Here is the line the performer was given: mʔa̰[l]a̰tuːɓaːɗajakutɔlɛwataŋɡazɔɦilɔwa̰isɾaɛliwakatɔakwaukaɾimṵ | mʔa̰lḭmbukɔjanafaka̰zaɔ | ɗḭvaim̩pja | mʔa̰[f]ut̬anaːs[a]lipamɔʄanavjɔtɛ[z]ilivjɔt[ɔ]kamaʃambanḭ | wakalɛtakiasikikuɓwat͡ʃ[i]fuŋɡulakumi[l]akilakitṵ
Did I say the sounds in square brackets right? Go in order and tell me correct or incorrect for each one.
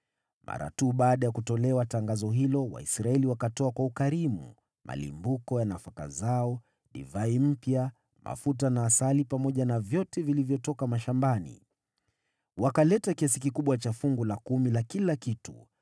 incorrect: ɾ, correct, correct, incorrect: v, correct, incorrect: a, correct

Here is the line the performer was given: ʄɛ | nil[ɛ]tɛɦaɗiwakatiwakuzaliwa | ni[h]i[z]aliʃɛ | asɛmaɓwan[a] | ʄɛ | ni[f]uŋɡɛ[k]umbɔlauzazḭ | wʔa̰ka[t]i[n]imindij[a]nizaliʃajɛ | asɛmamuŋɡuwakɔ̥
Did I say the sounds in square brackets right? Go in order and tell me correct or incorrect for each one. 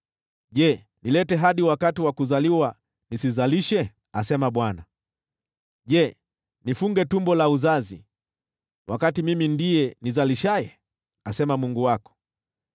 correct, incorrect: s, correct, correct, correct, incorrect: t, correct, incorrect: m, incorrect: ɛ

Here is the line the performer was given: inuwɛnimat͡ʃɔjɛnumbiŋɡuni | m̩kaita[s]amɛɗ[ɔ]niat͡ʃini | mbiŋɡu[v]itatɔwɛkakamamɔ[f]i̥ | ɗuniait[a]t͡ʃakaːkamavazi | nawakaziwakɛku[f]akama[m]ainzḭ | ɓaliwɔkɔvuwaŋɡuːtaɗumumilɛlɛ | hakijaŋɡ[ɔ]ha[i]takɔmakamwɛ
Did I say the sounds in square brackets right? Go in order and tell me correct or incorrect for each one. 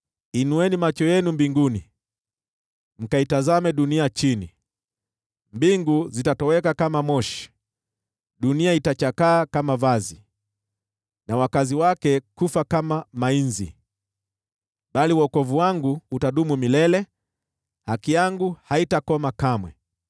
incorrect: z, incorrect: u, incorrect: z, incorrect: ʃ, correct, correct, correct, incorrect: u, correct

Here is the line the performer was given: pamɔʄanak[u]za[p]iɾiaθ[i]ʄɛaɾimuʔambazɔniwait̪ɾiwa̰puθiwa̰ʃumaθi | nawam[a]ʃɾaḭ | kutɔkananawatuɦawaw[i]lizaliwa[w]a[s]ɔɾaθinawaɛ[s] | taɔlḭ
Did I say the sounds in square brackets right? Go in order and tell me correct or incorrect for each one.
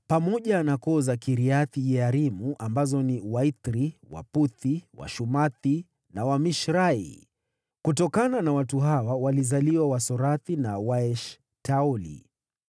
incorrect: ɔ, incorrect: k, correct, incorrect: i, incorrect: a, correct, correct, incorrect: ʃ

